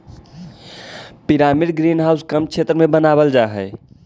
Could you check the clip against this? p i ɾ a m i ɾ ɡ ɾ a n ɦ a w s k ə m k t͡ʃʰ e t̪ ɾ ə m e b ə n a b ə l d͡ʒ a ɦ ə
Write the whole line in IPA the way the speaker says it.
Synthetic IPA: p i ɾ a m i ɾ ɡ ɾ i n ɦ a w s k ə m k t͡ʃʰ e t̪ ɾ ə m e b ə n a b ə l d͡ʒ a ɦ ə